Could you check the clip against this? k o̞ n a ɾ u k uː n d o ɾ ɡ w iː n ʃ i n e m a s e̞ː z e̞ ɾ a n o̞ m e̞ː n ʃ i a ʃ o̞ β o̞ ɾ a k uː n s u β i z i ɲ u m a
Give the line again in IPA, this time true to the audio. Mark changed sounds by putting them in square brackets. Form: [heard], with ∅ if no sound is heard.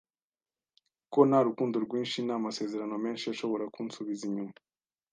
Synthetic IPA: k o̞ n a ɾ u k uː n d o ɾ ɡ w iː n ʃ i n [a] m a s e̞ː z e̞ ɾ a n o̞ m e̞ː n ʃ i a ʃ o̞ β o̞ ɾ a k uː n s u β i z i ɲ u m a